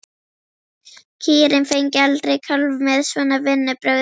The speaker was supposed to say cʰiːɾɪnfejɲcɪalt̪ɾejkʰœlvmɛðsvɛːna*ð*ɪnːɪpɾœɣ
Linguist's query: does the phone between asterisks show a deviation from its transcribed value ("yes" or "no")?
yes